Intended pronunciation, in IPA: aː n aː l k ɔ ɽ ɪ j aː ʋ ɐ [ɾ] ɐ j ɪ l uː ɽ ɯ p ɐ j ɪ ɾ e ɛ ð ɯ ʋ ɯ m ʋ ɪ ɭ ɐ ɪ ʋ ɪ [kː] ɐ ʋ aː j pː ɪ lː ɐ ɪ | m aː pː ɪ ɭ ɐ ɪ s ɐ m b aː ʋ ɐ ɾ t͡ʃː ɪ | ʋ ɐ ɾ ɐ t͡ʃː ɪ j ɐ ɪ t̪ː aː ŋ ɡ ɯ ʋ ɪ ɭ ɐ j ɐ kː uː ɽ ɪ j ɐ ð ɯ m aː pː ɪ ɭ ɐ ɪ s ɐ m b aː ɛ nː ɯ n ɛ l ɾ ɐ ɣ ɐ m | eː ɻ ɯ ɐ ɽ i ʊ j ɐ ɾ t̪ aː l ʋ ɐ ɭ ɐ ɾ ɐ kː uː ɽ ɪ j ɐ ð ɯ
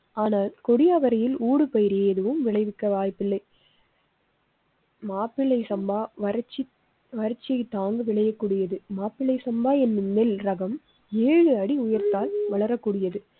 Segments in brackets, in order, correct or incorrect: correct, correct

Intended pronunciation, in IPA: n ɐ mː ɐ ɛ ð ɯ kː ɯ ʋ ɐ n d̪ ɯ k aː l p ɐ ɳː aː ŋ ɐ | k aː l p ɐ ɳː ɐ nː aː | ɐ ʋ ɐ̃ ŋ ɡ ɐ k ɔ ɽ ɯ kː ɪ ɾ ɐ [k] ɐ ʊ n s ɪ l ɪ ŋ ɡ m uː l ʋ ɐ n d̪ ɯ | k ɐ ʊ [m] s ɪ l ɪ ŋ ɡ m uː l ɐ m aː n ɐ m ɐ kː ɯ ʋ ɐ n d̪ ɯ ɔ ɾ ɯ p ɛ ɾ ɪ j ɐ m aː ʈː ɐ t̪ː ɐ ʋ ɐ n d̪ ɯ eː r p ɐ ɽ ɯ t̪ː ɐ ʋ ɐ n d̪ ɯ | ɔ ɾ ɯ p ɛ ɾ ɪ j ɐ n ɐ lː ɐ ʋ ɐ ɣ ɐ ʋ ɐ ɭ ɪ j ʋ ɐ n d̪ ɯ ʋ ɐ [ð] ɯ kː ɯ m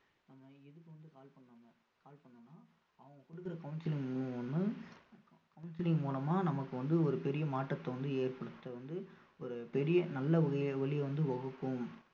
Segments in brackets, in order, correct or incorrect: correct, incorrect: n, incorrect: ɣ

